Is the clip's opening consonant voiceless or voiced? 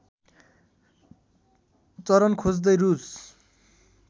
voiceless